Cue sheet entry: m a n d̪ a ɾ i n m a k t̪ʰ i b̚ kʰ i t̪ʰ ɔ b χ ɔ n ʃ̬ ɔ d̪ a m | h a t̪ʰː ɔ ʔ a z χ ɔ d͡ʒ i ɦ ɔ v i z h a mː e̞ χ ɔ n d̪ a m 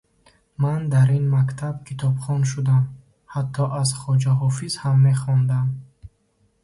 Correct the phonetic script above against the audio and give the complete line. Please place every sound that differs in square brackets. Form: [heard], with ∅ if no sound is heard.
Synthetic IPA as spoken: m a n d̪ a ɾ i n m a k t̪ʰ [a] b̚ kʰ i t̪ʰ ɔ b χ ɔ n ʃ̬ [u] d̪ a m | h a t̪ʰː ɔ ʔ a z χ ɔ d͡ʒ [a] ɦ ɔ [f] i z h a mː e̞ χ ɔ n d̪ a m